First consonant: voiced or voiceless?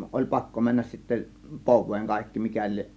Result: voiced